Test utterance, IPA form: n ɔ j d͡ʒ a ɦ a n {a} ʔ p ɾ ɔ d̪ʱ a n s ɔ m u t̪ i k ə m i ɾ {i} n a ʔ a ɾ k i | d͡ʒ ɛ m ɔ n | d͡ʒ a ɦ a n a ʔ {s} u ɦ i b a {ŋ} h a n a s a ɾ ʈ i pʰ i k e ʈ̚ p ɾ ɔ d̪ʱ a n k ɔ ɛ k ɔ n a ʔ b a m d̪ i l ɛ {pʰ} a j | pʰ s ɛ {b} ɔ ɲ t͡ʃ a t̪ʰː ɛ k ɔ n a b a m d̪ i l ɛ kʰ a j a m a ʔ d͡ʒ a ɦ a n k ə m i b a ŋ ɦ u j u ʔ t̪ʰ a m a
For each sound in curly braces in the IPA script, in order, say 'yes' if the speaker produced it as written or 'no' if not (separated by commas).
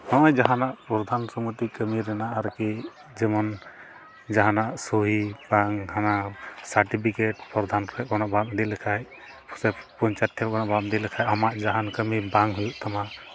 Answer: yes, no, yes, yes, no, no